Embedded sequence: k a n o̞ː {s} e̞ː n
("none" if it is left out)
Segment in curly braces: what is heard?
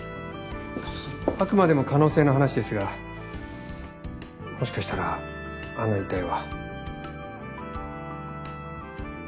s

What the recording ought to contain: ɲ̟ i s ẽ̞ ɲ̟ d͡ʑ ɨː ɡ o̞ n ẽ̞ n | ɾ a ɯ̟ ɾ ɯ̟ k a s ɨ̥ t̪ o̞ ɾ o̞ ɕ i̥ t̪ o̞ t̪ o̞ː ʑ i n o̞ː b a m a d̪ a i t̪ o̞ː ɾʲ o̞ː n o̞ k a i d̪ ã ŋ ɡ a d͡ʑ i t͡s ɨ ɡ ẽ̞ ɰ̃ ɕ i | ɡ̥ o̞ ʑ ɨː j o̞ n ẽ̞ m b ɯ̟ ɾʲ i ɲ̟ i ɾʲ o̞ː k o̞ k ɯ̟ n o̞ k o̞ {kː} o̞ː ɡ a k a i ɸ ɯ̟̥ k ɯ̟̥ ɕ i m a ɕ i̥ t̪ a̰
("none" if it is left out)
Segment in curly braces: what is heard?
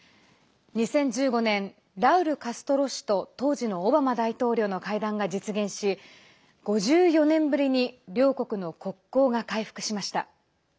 kː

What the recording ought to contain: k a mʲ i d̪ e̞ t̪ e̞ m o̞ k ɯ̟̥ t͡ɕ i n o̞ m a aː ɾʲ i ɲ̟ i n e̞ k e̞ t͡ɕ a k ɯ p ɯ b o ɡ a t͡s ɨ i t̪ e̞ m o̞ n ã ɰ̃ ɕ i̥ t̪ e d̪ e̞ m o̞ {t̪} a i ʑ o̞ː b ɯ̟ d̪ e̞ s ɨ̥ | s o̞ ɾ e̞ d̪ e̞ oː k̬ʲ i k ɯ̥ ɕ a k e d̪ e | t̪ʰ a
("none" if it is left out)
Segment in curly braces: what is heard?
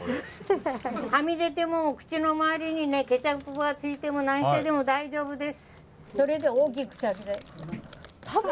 d̪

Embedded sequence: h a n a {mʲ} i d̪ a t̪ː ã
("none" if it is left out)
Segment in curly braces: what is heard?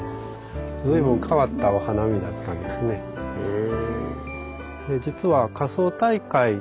mʲ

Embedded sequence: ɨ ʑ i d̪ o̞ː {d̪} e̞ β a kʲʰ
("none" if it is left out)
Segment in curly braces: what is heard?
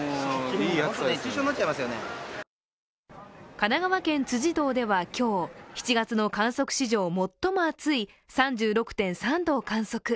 d̪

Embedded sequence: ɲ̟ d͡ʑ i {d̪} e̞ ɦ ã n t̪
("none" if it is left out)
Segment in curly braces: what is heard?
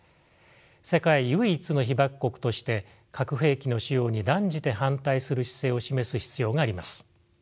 t̪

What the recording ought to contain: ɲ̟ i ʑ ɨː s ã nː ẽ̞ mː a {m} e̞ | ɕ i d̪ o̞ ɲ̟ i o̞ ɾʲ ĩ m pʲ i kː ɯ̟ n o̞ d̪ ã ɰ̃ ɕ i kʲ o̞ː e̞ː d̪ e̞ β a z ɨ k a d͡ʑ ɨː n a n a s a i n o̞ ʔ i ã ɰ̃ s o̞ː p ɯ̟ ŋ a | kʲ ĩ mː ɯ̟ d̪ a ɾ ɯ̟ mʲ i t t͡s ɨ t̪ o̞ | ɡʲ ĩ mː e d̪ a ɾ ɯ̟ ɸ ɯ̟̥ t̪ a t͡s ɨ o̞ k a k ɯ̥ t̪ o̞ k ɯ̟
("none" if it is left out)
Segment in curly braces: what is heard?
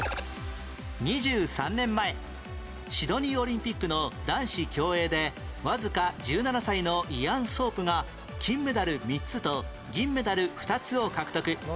none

